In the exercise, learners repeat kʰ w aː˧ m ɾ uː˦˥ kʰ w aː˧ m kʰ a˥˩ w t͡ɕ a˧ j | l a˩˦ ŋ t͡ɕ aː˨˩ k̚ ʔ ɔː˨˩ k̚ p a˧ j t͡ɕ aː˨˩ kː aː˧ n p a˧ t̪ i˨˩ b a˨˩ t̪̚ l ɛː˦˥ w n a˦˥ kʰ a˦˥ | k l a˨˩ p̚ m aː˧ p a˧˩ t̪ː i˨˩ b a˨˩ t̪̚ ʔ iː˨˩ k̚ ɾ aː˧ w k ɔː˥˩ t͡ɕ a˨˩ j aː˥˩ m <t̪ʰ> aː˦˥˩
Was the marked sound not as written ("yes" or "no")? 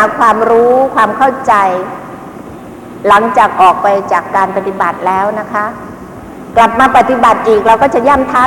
no